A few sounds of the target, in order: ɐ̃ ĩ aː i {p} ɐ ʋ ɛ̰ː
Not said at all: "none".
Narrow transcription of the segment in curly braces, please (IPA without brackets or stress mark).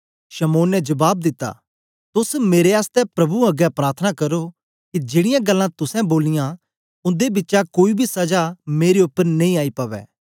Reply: p